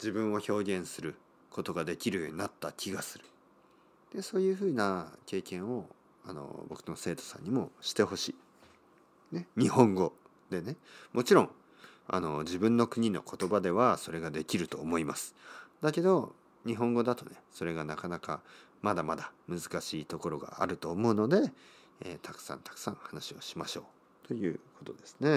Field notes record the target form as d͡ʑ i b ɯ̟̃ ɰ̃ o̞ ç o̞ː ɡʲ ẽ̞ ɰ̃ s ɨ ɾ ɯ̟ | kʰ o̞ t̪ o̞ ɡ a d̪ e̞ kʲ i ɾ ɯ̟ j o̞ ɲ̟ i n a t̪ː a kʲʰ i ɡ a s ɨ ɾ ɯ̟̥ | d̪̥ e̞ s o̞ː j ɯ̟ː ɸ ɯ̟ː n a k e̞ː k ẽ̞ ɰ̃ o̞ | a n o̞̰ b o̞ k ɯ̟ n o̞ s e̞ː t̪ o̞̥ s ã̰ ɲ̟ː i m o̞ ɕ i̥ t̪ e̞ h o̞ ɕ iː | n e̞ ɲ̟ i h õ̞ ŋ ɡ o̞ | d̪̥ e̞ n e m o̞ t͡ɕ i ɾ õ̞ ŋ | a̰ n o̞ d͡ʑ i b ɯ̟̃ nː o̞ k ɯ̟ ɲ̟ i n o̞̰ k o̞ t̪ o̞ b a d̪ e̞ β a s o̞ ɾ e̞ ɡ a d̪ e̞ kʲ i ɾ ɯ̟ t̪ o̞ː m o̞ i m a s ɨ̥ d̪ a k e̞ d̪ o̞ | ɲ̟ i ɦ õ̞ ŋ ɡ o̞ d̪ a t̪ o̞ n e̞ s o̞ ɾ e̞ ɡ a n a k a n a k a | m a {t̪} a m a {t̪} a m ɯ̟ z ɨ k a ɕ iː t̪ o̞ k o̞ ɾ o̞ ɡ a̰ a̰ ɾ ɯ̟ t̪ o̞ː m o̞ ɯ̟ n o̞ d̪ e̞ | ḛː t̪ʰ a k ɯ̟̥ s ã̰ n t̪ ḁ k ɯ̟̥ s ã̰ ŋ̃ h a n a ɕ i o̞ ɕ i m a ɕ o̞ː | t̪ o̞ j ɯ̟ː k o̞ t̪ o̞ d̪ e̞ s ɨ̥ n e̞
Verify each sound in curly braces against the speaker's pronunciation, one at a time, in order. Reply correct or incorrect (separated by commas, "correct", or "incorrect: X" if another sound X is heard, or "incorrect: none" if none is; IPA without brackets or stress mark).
incorrect: d̪, incorrect: d̪